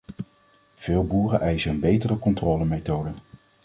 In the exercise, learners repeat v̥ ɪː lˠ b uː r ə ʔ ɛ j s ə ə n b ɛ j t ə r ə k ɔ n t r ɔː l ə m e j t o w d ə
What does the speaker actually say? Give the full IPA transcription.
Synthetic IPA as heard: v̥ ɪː lˠ b uː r ə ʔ ɛ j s ə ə n b e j t ə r ə k ɔ n t r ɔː l ə m e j t o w d ə